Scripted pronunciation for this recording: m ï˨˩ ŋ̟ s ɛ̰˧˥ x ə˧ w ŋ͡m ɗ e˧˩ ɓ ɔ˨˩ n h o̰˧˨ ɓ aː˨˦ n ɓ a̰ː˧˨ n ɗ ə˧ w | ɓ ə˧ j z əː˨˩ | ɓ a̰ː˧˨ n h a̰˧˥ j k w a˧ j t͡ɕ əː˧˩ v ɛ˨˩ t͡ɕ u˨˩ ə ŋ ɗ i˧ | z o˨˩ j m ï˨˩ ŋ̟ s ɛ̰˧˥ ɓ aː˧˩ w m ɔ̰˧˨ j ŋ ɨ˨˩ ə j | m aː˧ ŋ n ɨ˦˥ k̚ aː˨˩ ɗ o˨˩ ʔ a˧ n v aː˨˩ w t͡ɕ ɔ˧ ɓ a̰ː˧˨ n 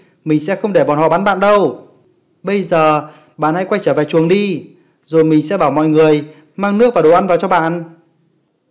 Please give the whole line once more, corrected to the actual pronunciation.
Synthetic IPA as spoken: m ï˨˩ ŋ̟ s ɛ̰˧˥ x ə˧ w ŋ͡m ɗ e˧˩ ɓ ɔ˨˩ n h ɔ̰˧˨ ɓ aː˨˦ n ɓ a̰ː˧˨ n ɗ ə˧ w | ɓ ə˧ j z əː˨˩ | ɓ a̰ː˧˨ n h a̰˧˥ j k w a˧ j t͡ɕ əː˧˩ v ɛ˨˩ t͡ɕ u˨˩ ə ŋ ɗ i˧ | z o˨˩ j m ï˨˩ ŋ̟ s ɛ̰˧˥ ɓ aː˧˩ w m ɔ̰˧˨ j ŋ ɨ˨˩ ə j | m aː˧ ŋ n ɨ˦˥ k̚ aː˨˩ ɗ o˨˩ ʔ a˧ n v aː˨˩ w t͡ɕ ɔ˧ ɓ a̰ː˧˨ n